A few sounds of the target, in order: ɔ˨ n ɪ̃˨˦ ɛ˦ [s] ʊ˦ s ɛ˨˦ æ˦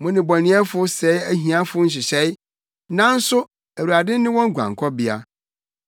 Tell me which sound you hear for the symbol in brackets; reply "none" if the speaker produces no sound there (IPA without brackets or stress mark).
f